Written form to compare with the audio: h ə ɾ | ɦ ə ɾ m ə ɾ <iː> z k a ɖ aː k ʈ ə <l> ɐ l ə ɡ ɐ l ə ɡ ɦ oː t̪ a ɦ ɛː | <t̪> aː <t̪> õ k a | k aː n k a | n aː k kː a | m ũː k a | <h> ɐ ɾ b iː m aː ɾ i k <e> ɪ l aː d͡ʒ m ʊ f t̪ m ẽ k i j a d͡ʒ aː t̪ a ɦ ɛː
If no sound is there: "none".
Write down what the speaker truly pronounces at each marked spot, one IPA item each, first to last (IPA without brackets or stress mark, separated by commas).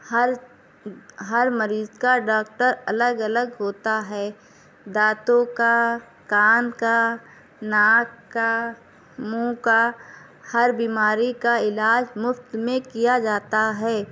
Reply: iː, ɾ, d̪, t̪, h, a